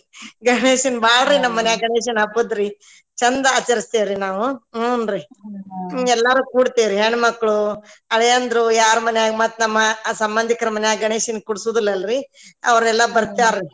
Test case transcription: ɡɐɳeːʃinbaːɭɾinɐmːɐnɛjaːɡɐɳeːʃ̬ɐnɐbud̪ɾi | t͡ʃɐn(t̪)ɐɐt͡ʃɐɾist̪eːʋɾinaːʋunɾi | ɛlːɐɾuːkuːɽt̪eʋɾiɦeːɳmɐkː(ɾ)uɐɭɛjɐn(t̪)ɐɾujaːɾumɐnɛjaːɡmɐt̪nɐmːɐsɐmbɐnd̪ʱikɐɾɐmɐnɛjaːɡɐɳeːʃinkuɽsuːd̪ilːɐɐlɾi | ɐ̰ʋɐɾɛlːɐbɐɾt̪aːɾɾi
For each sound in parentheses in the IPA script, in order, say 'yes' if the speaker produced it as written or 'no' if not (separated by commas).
no, no, no